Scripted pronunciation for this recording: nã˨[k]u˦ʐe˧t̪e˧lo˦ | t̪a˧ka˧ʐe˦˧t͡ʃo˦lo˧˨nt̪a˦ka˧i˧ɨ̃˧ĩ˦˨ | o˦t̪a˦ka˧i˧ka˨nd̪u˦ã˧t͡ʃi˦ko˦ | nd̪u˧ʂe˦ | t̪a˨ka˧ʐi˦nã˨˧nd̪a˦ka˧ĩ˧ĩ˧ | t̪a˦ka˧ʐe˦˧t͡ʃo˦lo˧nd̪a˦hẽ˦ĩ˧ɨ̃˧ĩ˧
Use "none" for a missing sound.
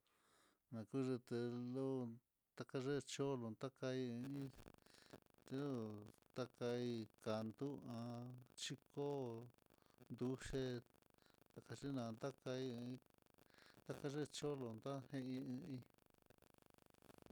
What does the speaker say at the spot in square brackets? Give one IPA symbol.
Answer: k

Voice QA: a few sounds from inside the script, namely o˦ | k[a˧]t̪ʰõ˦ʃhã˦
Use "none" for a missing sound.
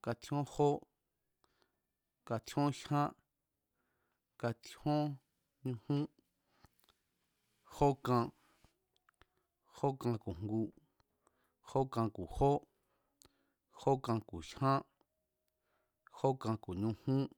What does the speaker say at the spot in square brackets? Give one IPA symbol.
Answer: a˧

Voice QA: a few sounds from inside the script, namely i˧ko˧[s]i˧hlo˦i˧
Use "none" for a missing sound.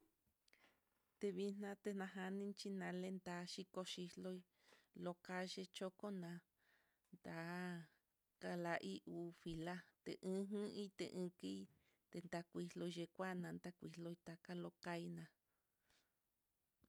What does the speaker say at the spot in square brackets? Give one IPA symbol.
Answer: ʃ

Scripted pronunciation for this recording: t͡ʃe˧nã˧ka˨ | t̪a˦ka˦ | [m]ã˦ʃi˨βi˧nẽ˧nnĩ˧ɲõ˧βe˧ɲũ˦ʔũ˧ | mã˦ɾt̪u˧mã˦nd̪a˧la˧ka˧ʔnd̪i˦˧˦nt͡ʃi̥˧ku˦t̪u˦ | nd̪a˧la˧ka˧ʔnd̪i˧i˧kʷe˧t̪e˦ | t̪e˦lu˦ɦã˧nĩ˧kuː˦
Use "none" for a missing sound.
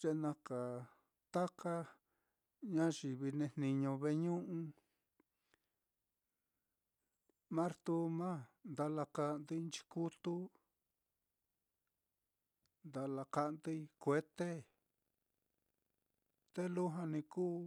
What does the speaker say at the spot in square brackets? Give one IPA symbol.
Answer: ɲ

